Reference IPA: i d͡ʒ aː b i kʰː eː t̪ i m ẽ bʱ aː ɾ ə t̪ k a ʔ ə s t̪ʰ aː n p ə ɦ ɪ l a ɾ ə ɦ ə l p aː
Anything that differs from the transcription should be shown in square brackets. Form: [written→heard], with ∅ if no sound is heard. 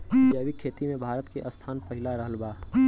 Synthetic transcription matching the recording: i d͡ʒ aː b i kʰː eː t̪ i m ẽ bʱ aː ɾ ə t̪ k [a→e] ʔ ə s t̪ʰ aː n p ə ɦ ɪ l a ɾ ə ɦ ə l [p→b] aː

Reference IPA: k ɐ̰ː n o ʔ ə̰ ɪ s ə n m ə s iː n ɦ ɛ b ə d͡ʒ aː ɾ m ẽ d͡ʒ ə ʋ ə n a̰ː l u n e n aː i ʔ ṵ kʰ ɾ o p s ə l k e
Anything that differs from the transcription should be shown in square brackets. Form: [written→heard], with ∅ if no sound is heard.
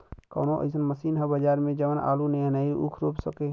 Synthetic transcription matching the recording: k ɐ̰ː n o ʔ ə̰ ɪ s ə n m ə s iː n ɦ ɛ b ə d͡ʒ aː ɾ m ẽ d͡ʒ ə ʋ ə n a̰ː l u n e n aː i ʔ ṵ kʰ ɾ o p s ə [l→∅] k e

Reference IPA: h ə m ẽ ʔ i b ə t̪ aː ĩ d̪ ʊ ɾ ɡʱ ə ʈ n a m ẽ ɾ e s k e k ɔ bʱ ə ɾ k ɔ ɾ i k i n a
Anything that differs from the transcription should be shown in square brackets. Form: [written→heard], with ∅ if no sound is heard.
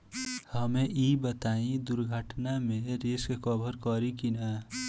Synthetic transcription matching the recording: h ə m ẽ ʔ i b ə t̪ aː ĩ d̪ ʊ ɾ ɡʱ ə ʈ n a m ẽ ɾ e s k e k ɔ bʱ ə ɾ k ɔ ɾ i k i n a

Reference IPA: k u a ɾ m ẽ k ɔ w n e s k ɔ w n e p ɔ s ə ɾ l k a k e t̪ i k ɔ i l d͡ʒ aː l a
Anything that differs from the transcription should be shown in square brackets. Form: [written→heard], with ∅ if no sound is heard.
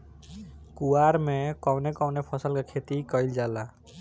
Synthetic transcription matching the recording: k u a ɾ m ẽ k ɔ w n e [s→∅] k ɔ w n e [p→pʰ] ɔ s ə [ɾ→∅] l k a [k→kʰ] e t̪ i k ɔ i l d͡ʒ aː l a

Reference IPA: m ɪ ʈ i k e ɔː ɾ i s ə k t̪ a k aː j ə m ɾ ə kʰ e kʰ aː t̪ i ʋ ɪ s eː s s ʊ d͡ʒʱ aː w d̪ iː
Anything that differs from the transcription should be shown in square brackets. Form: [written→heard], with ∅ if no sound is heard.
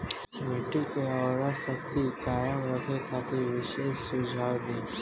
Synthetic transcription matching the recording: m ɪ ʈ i k e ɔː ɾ [i→a] s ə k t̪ [a→i] k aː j ə m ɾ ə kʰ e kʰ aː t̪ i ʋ ɪ [s→ʃ] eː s s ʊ d͡ʒʱ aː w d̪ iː

